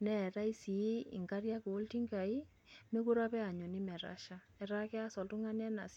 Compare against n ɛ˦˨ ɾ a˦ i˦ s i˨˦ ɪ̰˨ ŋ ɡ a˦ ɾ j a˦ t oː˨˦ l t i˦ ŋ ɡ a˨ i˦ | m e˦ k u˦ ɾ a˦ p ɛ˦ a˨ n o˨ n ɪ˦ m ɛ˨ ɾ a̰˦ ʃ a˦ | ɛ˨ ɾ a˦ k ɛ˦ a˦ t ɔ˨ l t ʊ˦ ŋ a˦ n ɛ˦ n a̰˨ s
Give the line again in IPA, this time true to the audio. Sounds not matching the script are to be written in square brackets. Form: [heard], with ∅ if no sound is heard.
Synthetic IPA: n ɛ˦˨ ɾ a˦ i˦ s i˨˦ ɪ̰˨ ŋ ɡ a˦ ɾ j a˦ [k] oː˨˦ l t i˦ ŋ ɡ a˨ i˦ | m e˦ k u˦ ɾ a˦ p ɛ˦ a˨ [ɲ] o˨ n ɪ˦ m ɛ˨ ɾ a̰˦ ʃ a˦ | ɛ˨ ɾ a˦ k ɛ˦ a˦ [s] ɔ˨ l t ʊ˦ ŋ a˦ n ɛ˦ n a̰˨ s